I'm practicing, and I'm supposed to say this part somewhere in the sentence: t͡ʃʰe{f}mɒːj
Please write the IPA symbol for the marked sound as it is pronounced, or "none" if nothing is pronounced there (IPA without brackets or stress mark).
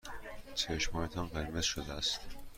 ʃ